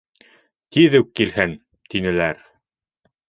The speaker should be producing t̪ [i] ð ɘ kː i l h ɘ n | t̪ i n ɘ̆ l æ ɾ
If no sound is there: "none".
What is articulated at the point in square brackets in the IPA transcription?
i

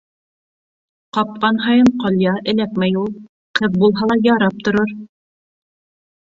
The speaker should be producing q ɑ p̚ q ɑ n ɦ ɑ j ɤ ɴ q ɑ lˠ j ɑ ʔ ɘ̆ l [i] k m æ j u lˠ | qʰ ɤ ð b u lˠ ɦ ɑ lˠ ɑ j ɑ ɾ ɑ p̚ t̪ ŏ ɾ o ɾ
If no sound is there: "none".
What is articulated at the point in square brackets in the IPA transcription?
æ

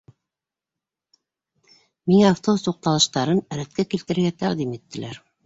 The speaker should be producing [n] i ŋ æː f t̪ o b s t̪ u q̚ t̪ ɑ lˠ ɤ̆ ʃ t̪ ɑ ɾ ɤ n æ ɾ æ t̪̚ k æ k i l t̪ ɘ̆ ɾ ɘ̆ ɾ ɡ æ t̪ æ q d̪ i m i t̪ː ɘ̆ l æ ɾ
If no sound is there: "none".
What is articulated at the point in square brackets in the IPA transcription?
m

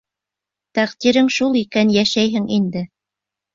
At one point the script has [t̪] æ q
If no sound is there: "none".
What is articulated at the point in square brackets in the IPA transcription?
t̪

